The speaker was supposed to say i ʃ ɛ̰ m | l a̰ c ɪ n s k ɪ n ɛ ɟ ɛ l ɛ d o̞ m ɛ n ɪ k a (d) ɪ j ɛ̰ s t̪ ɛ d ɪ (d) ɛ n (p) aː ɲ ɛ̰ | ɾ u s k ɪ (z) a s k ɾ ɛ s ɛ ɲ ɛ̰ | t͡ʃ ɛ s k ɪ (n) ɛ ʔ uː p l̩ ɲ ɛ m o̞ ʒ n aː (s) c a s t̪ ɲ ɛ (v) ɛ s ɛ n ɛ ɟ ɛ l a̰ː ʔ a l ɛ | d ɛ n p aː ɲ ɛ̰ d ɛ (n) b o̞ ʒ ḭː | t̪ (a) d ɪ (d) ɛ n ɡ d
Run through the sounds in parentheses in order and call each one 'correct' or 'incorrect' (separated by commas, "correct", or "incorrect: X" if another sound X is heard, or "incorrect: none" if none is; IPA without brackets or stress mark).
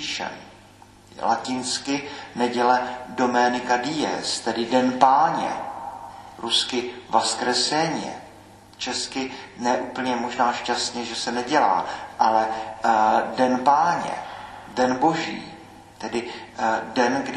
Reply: correct, correct, correct, incorrect: v, correct, incorrect: ʃ, incorrect: ʒ, correct, incorrect: ɛ, correct